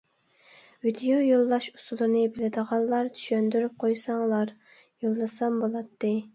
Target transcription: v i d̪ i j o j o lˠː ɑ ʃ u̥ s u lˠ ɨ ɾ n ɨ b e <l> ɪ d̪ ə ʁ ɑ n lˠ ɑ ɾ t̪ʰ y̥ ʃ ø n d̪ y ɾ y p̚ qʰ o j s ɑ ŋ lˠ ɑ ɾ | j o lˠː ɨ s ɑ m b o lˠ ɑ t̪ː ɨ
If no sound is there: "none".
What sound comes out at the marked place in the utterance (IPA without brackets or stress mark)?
l